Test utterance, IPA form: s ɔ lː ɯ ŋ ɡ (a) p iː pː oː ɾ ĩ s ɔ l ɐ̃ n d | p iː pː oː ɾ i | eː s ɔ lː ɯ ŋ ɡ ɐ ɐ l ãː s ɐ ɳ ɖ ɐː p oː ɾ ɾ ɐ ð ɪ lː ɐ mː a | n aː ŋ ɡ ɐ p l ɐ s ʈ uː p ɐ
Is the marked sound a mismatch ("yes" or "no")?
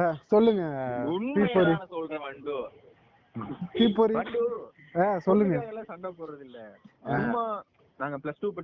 yes